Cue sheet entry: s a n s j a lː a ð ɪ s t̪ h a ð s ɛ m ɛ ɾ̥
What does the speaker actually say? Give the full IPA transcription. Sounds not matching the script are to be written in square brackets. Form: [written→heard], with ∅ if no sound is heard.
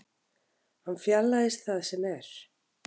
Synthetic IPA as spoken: [s→h] a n [s→f] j a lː a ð ɪ s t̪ [h→θ] a ð s ɛ m ɛ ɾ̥